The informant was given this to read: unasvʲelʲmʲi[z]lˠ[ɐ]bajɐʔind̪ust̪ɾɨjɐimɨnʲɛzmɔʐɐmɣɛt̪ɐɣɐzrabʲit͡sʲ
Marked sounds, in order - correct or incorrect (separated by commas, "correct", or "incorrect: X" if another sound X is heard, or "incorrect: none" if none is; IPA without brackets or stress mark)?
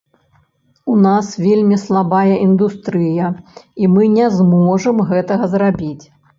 incorrect: s, incorrect: a